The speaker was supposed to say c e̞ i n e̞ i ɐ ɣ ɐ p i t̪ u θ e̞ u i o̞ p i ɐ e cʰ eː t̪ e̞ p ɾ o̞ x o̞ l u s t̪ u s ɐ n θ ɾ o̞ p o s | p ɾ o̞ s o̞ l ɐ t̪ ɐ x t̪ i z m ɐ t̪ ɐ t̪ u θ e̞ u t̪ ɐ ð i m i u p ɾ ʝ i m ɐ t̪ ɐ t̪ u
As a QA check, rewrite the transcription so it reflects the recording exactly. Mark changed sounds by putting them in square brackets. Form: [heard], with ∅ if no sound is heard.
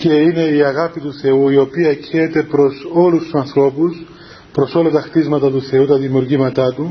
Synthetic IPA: c e̞ i n e̞ i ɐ ɣ ɐ p i t̪ u θ e̞ u i o̞ p i ɐ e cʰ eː t̪ e̞ p ɾ o̞ [s] o̞ l u s t̪ u s ɐ n θ ɾ o̞ p [u] s | p ɾ o̞ s o̞ l ɐ t̪ ɐ x t̪ i z m ɐ t̪ ɐ t̪ u θ e̞ u t̪ ɐ ð i m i u [∅] ɾ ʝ i m ɐ t̪ ɐ t̪ u